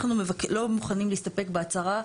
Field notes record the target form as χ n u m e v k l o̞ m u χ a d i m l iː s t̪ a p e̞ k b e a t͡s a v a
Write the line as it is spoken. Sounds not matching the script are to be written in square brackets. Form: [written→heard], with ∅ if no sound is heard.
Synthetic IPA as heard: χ n u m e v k l o̞ m u χ a [d→n] i m l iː s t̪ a p e̞ k b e a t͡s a [v→ʁ] a

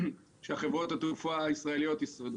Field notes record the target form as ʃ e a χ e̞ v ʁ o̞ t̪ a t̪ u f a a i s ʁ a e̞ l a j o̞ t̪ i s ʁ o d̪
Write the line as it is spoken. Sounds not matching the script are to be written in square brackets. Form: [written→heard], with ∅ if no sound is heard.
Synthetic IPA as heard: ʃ e a χ e̞ v ʁ o̞ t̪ a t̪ u f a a i s ʁ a e̞ l [a→i] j o̞ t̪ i s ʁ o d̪

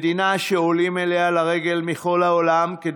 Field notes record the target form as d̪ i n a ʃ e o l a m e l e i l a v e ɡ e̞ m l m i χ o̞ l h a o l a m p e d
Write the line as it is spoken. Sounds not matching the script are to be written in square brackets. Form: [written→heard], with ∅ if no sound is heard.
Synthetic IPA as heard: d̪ i n a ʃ e o l [a→i] m e l e [i→a] l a [v→ʁ] e ɡ e̞ [m→∅] l m i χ o̞ l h a o l a m [p→k] e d

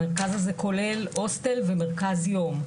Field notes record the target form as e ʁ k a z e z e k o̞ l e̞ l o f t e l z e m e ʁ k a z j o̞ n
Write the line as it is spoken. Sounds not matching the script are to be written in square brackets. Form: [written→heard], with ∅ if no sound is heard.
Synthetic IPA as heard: e ʁ k a z [e→a] z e k o̞ l e̞ l o [f→s] t e l [z→v] e m e ʁ k a z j o̞ [n→m]

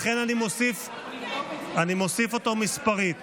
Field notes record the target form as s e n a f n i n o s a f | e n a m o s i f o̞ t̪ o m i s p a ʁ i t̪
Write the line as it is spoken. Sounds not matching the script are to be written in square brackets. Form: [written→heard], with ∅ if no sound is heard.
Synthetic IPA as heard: [s→χ] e n a [f→∅] n i [n→m] o s [a→i] f | [e→a] n [a→i] m o s i f o̞ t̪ o m i s p a ʁ i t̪

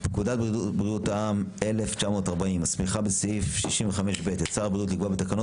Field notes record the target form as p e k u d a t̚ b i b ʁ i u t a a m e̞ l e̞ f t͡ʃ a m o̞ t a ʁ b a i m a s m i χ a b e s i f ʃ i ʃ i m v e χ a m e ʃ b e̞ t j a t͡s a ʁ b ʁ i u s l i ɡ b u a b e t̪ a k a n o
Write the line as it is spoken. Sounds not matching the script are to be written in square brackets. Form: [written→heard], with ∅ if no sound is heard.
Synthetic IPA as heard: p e k u d a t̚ b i b ʁ i u t a a m e̞ l e̞ f t͡ʃ a m o̞ t a ʁ b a i m a s m i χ a b e s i f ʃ i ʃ i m v e χ a m e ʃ b e̞ t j a t͡s a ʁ b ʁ i u [s→t] l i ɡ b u a b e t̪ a k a n o

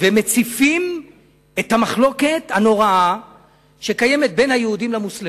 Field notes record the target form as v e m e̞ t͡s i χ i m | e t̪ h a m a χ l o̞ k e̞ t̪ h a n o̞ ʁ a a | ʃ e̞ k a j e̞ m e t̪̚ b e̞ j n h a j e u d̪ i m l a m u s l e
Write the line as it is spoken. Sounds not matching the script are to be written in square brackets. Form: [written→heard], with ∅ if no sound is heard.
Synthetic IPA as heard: v e m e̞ t͡s i [χ→f] i m | e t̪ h a m a χ l o̞ k e̞ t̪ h a n o̞ ʁ a a | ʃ e̞ k a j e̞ m e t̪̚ b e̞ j n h a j e u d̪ i m l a m u s l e

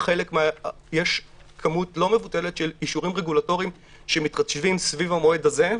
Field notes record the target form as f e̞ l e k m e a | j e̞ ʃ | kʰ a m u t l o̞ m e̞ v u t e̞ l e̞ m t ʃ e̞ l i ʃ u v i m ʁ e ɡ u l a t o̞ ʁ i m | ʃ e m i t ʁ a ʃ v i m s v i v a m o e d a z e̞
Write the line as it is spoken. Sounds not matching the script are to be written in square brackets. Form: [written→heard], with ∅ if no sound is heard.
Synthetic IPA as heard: [f→χ] e̞ l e k m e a | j e̞ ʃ | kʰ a m u t l o̞ m e̞ v u t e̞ l e̞ [m→∅] t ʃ e̞ l i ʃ u [v→ʁ] i m ʁ e ɡ u l a t o̞ ʁ i m | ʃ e m i t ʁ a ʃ v i m s v i v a m o e d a z e̞

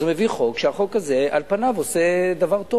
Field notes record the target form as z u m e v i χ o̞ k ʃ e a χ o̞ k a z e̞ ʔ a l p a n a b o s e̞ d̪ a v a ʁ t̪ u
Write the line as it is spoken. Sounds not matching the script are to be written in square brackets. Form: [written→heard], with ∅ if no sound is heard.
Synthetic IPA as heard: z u m e v i χ o̞ k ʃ e a χ o̞ k a z e̞ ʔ a l p a n a [b→v] o s e̞ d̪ a v a ʁ t̪ [u→o]

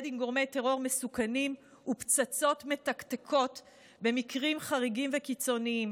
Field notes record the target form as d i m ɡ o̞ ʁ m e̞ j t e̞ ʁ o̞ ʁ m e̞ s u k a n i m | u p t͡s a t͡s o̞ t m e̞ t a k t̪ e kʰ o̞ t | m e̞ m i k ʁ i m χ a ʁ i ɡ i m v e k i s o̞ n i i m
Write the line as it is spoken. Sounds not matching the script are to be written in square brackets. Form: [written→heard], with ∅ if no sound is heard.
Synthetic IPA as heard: d i m ɡ o̞ ʁ m e̞ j t e̞ ʁ o̞ ʁ m e̞ s u k a n i m | u p t͡s a t͡s o̞ t m e̞ t a k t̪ e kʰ o̞ t | [m→b] e̞ m i k ʁ i m χ a ʁ i ɡ i m v e k i [s→t͡s] o̞ n i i m

